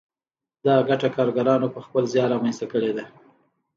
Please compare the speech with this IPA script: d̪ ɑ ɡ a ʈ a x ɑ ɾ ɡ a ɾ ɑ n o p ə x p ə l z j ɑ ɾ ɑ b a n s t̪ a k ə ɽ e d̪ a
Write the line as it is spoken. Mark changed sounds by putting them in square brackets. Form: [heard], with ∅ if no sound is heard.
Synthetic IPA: d̪ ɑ ɡ a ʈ a [k] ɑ ɾ ɡ a ɾ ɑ n o p ə x p ə l z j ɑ ɾ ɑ [m] a n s t̪ a k ə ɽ e d̪ a